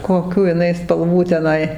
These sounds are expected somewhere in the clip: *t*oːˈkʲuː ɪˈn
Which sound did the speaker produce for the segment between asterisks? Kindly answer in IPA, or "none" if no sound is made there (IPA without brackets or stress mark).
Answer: k